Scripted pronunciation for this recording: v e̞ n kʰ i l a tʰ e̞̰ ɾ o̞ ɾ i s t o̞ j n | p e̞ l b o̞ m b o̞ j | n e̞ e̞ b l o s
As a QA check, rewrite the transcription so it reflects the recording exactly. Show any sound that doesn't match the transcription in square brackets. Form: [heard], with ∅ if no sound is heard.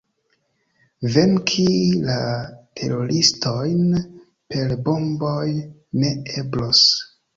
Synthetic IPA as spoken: v e̞ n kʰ i l a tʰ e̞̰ ɾ o̞ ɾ i s t o̞ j n | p e̞ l b o̞ m b o̞ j | n e̞ e̞ b l o s